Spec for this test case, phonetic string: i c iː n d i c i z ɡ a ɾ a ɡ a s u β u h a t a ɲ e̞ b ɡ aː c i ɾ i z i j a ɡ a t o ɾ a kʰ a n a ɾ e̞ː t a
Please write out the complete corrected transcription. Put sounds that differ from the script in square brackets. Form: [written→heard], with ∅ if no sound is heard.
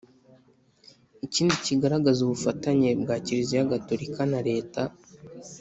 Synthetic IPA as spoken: i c iː n d i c i [z→∅] ɡ a ɾ a ɡ a [s→z] u β u [h→f] a t a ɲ e̞ b ɡ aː c i ɾ i z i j a ɡ a t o ɾ [a→i] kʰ a n a ɾ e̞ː t a